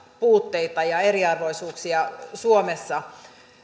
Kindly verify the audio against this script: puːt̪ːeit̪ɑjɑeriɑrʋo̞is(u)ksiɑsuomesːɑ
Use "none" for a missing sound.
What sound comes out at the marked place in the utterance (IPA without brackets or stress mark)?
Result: uː